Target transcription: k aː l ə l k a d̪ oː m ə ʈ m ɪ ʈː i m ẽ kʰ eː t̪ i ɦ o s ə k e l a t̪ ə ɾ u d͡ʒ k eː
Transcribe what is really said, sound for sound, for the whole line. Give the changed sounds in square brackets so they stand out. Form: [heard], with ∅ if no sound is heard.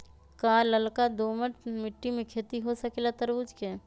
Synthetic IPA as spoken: k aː l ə l k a d̪ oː m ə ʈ m ɪ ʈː i m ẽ kʰ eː t̪ i ɦ o s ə k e l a t̪ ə ɾ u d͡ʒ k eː